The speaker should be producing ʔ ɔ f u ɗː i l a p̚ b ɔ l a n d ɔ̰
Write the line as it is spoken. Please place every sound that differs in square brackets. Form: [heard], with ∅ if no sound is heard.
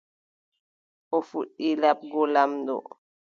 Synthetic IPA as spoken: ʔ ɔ f u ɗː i l a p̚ [ɡ] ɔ l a [m] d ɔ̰